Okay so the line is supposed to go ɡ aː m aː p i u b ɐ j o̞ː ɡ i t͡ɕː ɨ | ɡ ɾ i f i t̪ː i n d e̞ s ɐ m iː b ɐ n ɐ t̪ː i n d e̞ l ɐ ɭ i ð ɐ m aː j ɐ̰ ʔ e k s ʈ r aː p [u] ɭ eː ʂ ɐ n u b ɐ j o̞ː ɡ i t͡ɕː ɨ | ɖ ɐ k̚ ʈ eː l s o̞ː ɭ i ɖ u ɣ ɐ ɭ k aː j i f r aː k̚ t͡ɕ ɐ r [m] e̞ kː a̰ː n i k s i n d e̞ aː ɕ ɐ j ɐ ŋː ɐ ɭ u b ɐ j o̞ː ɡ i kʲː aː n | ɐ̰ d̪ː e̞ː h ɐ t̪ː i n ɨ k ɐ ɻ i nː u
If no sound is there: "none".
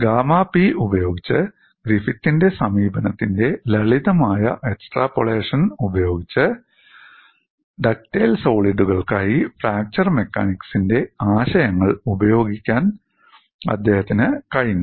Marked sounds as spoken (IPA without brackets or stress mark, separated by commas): o, m